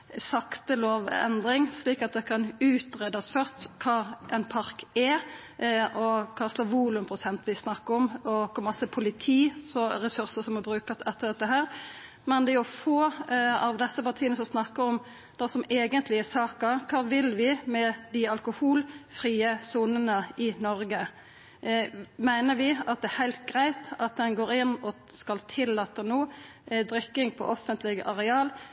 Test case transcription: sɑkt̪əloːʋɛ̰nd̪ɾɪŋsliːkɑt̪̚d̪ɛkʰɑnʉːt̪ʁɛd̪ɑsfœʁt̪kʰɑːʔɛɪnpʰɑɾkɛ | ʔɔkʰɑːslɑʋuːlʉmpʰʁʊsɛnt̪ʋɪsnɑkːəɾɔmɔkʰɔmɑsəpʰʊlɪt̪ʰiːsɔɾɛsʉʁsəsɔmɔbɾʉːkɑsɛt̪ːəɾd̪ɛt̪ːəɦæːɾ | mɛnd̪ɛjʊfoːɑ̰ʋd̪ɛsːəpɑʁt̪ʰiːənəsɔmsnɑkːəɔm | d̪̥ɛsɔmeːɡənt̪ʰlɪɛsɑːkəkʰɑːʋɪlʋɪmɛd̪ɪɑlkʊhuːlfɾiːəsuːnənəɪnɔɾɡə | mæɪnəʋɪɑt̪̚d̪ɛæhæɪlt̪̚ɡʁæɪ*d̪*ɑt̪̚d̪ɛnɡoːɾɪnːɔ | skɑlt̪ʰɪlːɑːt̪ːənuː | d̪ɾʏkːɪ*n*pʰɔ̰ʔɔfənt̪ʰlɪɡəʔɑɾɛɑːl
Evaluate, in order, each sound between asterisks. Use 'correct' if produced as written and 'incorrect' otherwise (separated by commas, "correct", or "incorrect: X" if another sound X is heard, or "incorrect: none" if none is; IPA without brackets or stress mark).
incorrect: t̪, incorrect: ŋ